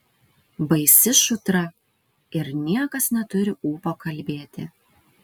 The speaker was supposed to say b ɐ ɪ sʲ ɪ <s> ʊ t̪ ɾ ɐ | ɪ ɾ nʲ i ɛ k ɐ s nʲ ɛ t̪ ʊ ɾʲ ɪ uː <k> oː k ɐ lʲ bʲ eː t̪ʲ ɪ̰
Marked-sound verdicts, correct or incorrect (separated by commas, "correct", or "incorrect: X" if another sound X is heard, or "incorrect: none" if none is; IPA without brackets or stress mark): incorrect: ʃ, incorrect: p